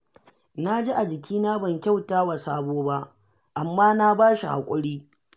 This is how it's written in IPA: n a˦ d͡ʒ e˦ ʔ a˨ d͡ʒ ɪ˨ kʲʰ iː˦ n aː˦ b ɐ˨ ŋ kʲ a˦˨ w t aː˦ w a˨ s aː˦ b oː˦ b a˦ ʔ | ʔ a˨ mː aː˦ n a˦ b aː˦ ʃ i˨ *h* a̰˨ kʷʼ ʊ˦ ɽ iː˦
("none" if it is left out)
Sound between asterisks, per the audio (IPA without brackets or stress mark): h